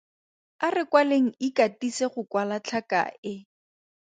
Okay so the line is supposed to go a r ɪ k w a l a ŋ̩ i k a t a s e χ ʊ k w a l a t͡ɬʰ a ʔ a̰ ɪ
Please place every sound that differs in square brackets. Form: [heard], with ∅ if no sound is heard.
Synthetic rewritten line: a r ɪ k w a l [e] ŋ̩ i k a t [i] s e χ ʊ k w a l a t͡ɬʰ a [k] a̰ ɪ